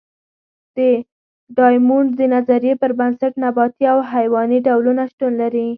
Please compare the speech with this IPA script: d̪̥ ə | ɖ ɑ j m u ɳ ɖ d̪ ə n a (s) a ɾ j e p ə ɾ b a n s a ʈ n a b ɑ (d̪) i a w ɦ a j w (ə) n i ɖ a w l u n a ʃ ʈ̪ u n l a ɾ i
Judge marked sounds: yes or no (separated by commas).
no, no, no